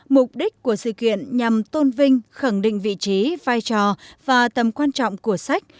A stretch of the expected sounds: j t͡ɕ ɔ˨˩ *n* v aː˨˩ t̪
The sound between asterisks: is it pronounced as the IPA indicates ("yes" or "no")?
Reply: no